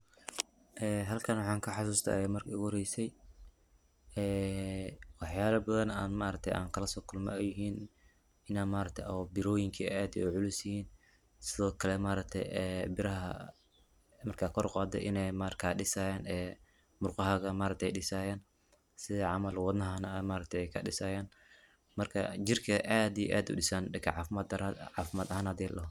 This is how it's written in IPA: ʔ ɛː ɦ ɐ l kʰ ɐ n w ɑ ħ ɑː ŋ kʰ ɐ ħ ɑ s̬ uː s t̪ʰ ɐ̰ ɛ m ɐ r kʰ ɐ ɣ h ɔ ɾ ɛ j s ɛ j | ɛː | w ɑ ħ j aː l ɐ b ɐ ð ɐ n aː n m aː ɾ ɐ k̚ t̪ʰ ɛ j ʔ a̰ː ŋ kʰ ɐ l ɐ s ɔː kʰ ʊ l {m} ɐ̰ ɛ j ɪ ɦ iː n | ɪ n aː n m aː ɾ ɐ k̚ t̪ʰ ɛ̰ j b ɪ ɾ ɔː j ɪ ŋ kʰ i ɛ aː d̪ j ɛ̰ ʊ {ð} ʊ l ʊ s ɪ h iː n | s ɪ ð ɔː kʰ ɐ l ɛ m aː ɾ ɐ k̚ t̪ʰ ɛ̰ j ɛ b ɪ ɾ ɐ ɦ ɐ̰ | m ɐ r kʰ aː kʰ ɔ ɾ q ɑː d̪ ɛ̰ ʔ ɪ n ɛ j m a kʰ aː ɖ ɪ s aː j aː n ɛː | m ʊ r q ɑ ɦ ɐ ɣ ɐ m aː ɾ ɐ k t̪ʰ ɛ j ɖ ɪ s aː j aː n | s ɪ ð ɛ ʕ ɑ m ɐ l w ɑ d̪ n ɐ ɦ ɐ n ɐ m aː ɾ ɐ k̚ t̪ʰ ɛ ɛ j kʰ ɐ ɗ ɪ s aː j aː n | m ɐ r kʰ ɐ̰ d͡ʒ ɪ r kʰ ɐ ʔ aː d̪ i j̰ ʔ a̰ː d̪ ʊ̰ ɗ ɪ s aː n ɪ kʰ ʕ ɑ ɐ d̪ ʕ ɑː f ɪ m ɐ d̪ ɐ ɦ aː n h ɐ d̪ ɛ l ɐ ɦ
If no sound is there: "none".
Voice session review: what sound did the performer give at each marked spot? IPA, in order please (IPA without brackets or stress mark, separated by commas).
m, ʕ